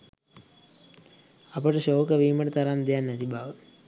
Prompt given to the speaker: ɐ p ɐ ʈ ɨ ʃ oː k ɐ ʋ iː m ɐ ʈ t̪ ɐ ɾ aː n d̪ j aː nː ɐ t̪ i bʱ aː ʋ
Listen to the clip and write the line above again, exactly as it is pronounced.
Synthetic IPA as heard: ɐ p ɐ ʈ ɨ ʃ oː k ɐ ʋ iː m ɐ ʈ t̪ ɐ ɾ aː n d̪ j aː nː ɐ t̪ i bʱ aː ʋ